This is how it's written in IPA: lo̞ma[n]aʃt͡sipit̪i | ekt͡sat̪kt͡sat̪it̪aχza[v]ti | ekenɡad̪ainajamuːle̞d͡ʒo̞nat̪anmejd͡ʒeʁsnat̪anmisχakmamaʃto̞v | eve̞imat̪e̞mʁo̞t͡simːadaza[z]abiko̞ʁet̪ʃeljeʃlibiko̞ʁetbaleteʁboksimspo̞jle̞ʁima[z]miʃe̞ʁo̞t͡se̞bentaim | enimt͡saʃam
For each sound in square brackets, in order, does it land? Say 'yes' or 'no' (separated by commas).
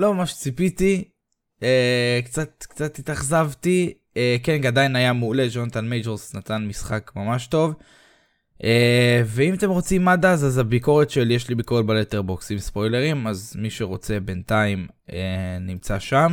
no, yes, yes, yes